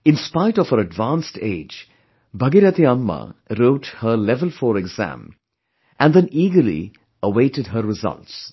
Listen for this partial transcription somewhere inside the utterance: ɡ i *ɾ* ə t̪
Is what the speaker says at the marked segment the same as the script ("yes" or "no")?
yes